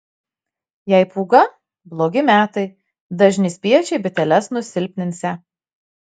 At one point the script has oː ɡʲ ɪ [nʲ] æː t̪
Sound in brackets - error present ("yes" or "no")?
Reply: yes